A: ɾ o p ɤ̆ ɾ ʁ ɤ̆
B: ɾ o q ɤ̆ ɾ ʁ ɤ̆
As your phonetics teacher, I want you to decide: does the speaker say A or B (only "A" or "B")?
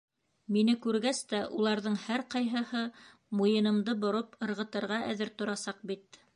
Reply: A